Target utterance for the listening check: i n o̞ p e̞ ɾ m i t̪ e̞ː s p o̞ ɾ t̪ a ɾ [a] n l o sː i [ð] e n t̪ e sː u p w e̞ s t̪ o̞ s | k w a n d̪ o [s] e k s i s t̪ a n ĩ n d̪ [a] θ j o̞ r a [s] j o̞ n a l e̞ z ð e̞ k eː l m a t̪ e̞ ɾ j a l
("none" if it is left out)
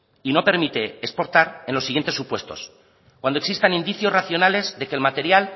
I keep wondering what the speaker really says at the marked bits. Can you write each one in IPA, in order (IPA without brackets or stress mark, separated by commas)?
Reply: e, ɣ, none, i, θ